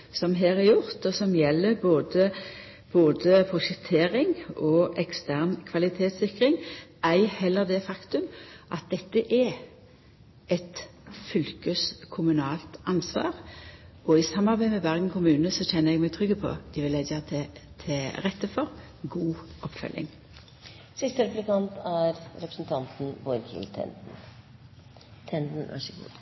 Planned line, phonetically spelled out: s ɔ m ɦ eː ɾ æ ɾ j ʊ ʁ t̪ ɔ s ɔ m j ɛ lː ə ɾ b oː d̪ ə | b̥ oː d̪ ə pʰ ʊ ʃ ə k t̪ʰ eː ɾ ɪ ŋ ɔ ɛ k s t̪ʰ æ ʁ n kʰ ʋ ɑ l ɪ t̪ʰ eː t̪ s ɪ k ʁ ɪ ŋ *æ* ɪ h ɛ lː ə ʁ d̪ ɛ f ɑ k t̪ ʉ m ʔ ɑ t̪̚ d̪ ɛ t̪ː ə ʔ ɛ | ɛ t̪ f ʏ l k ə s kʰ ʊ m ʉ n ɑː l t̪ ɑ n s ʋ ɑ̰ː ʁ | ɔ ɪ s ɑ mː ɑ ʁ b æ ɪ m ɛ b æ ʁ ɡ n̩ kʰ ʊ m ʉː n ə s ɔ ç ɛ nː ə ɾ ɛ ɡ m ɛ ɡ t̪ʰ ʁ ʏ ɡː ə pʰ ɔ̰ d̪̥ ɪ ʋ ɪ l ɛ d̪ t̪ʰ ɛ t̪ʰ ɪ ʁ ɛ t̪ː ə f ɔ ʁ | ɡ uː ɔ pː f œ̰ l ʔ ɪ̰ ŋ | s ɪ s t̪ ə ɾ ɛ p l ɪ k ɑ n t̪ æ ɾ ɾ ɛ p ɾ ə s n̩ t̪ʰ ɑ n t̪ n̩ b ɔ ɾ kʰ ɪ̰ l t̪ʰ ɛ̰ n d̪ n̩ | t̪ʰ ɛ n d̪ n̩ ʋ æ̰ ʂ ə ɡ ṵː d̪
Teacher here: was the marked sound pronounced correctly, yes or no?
yes